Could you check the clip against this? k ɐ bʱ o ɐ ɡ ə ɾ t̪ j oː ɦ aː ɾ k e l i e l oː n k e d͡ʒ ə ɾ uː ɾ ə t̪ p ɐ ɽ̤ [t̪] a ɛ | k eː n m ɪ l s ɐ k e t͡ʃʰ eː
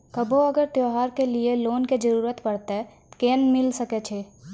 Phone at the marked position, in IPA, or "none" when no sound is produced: t̪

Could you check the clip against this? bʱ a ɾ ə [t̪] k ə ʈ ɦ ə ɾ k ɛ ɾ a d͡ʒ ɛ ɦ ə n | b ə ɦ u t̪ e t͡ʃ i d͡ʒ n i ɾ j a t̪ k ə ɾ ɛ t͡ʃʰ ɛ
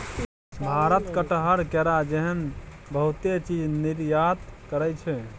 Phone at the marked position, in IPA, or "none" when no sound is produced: t̪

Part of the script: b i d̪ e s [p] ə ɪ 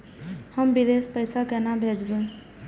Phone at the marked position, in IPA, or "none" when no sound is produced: p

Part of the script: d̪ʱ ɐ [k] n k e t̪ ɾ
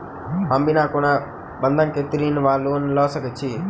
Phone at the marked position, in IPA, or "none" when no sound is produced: none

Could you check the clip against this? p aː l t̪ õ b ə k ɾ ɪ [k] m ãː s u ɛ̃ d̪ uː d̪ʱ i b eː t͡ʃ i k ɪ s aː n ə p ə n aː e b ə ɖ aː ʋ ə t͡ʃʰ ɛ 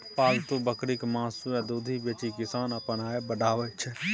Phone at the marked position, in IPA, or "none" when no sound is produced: k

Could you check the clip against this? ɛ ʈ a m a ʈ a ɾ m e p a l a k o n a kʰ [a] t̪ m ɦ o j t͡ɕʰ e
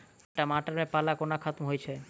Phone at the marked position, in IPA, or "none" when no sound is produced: a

